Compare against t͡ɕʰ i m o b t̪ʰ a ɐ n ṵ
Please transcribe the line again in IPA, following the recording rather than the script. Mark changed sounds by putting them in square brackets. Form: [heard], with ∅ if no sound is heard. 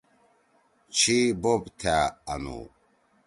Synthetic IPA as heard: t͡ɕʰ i [b] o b t̪ʰ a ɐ n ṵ